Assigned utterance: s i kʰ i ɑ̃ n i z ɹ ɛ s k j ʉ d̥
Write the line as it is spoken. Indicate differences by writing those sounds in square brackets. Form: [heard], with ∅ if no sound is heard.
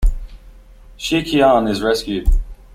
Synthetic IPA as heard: [ʃ] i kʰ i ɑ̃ n [ɪ] z ɹ ɛ s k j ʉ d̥